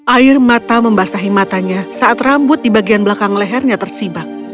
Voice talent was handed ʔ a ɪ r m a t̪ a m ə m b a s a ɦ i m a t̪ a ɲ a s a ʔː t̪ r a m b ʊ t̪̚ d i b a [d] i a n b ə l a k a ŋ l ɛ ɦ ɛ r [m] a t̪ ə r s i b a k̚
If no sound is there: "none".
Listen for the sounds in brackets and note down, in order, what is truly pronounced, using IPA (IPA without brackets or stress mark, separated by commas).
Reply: ɡ, ɲ